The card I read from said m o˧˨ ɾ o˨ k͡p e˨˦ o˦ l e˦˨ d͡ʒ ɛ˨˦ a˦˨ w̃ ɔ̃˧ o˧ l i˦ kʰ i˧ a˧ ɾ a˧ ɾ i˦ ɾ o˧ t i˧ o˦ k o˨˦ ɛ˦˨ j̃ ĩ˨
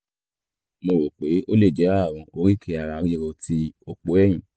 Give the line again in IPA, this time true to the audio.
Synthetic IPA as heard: m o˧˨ ɾ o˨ k͡p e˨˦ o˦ l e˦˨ d͡ʒ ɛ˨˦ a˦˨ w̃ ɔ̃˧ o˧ ɾ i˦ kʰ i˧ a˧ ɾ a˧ ɾ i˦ ɾ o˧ t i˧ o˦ k͡p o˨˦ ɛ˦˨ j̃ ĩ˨

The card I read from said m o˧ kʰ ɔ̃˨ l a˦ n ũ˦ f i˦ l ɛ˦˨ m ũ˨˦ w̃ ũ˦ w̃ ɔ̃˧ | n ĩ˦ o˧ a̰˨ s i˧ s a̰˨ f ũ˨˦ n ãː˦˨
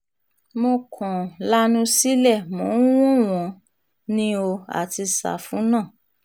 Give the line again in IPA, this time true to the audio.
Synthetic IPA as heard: m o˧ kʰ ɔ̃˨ l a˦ n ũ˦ s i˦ l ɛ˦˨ m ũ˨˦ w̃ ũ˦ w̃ ɔ̃˧ | n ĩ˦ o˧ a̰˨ t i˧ s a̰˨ f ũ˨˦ n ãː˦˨

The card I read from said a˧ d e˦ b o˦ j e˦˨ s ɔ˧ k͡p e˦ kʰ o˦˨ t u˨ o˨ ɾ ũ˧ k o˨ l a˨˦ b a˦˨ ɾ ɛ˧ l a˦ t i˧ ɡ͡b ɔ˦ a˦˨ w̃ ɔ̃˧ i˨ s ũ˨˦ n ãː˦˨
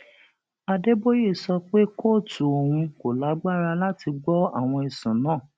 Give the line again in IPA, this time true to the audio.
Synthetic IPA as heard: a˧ d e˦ b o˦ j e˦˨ s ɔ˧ k͡p e˦ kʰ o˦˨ t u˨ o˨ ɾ ũ˧ k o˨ l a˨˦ ɡ͡b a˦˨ ɾ a˧ l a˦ t i˧ ɡ͡b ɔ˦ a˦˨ w̃ ɔ̃˧ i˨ s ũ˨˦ n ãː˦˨

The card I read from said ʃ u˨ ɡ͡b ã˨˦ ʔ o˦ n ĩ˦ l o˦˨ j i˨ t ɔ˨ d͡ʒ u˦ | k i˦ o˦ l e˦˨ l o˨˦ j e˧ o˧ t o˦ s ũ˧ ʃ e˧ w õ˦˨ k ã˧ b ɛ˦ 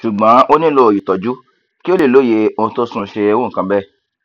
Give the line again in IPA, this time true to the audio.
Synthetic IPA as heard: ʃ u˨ ɡ͡b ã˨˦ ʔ o˦ n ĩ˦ l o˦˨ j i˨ t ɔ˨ d͡ʒ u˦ | k i˦ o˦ l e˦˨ l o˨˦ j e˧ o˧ t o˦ s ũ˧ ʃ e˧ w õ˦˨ k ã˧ b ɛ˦

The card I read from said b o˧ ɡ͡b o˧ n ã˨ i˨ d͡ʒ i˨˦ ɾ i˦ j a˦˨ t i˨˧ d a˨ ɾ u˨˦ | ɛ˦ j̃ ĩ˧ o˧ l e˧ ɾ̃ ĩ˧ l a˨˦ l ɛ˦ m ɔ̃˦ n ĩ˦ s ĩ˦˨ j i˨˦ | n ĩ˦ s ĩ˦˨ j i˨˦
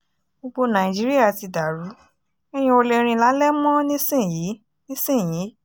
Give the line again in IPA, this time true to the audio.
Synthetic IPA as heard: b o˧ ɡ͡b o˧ n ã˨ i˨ d͡ʒ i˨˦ ɾ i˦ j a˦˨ t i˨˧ d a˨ ɾ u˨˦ | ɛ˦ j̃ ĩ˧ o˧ l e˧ ɾ̃ ĩ˧ l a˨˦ l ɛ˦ m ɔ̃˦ n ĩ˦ s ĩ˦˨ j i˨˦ | n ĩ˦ s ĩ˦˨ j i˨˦

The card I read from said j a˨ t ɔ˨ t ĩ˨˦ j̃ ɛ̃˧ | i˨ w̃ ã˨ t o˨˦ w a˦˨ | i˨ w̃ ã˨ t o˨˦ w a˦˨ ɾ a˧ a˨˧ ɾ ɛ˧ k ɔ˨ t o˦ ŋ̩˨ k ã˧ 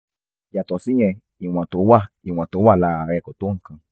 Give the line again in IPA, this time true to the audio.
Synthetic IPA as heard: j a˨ t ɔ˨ s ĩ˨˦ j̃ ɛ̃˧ | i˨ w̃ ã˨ t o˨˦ w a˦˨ | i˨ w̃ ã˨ t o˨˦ w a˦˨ l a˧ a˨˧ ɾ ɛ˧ k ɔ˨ t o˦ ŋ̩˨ k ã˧

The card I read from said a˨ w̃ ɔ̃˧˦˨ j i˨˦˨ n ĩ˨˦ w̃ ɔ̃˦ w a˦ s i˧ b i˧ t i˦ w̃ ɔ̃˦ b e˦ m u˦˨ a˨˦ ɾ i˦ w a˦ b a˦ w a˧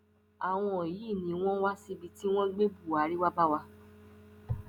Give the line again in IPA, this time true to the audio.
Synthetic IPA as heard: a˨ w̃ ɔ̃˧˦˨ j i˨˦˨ n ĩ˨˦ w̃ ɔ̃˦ w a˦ s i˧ b i˧ t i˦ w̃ ɔ̃˦ ɡ͡b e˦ b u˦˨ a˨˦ ɾ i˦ w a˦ b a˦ w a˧

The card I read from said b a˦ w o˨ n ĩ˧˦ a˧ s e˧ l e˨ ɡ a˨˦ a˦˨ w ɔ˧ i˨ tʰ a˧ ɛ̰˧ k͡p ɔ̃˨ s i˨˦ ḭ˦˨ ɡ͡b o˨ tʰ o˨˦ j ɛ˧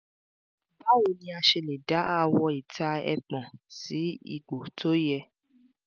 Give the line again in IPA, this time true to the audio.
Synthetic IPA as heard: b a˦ w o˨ n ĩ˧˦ a˧ ʃ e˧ l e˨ d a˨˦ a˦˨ w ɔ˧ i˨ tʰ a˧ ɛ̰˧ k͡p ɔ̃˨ s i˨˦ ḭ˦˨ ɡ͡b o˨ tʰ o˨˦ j ɛ˧

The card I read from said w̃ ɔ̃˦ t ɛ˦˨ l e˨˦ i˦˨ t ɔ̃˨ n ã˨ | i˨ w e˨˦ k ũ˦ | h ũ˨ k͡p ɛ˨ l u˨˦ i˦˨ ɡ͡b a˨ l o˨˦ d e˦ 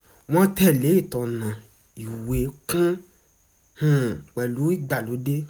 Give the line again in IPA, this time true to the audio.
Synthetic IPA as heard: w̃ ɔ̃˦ t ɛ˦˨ l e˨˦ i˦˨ t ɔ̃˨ n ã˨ | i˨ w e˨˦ k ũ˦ | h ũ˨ k͡p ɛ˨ l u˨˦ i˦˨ ɡ͡b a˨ l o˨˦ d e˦

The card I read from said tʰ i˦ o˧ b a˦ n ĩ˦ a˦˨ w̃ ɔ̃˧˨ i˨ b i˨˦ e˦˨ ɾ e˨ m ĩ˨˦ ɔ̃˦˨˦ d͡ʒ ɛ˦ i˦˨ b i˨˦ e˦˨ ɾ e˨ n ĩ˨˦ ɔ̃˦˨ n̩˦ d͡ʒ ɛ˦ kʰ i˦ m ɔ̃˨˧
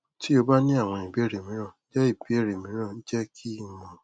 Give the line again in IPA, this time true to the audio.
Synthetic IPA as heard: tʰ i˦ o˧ b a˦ n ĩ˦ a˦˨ w̃ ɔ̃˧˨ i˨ b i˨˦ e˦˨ ɾ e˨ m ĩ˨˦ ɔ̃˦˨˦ d͡ʒ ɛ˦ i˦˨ b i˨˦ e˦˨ ɾ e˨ m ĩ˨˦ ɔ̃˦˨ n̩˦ d͡ʒ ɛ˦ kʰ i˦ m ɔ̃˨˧

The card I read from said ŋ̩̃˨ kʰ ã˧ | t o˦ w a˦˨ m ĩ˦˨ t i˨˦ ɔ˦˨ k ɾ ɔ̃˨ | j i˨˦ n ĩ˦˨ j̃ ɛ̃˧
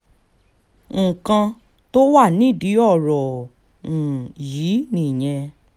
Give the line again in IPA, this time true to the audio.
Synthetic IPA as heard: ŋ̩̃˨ k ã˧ | t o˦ w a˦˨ n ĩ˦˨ d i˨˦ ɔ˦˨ ɾ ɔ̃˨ | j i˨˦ n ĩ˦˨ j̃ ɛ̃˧

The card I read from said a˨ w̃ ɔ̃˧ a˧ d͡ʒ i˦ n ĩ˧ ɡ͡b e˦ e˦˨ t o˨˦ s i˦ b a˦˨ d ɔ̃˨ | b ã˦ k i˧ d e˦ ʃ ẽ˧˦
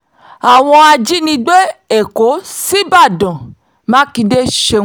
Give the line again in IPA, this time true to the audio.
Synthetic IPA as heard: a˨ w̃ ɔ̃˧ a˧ d͡ʒ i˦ n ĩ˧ ɡ͡b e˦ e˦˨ k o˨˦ s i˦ b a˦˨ d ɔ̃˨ | m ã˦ k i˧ d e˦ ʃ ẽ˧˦

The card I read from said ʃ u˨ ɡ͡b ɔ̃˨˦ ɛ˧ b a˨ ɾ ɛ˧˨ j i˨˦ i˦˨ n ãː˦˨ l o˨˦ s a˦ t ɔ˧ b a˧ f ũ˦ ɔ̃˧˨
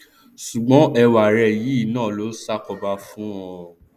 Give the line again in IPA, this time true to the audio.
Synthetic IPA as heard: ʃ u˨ ɡ͡b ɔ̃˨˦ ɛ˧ w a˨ ɾ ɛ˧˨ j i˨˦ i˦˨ n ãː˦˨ l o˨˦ s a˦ k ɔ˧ b a˧ f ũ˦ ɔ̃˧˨

